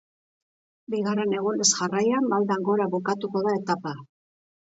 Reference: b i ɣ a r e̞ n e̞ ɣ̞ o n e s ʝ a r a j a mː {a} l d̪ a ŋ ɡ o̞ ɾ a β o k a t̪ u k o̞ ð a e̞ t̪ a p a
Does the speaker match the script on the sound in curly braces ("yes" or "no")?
yes